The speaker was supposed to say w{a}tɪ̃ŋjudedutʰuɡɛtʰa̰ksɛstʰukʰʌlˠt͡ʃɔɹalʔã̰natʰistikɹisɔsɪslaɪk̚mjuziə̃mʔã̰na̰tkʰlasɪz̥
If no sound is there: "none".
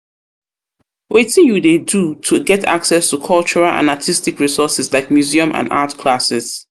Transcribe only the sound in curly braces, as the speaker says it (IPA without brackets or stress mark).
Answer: e